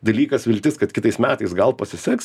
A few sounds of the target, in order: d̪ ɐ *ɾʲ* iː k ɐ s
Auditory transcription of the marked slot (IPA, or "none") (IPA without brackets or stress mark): lʲ